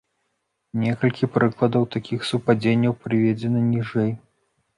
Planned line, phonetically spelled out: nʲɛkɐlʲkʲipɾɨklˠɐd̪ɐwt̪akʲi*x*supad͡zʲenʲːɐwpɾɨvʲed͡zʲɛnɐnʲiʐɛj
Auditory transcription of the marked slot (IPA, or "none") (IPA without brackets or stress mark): x